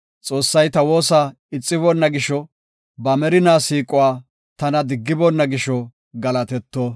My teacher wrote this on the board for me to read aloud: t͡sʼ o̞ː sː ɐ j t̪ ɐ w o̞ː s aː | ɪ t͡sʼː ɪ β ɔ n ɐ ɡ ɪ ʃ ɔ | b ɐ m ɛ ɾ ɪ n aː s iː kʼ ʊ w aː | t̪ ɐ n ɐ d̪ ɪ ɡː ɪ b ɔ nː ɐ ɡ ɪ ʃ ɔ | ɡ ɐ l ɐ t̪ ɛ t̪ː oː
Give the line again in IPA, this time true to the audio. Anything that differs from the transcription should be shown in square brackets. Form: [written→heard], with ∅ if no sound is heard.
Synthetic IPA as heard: t͡sʼ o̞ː sː ɐ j t̪ ɐ w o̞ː s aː | ɪ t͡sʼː ɪ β ɔ [n→nː] ɐ ɡ ɪ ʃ ɔ | b ɐ m ɛ ɾ ɪ n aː s iː kʼ ʊ w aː | t̪ ɐ n ɐ d̪ ɪ ɡː ɪ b ɔ nː ɐ ɡ ɪ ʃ ɔ | ɡ ɐ l ɐ t̪ ɛ t̪ː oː